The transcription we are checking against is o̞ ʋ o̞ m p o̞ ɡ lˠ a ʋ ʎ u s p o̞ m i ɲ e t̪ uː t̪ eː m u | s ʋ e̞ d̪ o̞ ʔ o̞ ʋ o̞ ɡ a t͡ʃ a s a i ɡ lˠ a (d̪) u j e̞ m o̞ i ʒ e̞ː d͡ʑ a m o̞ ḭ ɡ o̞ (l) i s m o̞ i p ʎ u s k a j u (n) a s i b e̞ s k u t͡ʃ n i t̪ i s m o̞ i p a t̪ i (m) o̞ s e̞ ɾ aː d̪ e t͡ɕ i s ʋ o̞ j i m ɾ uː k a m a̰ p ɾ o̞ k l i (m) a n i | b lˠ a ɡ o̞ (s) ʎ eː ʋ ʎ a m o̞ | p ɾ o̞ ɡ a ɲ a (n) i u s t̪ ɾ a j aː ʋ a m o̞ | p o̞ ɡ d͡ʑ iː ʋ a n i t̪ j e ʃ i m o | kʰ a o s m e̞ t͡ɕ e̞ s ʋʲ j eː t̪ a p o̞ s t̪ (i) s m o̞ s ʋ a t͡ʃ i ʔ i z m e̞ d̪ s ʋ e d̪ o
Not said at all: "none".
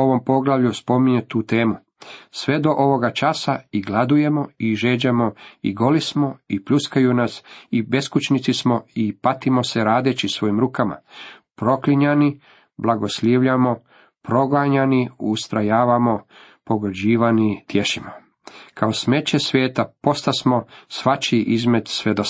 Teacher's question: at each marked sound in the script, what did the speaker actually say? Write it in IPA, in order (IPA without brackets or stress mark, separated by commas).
d̪, l, n, m, ɲ, s, n, a